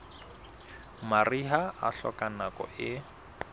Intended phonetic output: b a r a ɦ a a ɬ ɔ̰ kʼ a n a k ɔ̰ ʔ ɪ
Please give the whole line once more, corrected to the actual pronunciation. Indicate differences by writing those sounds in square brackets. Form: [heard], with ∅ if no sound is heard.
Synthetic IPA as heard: [m] a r [i] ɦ a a ɬ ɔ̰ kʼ a n a k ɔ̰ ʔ ɪ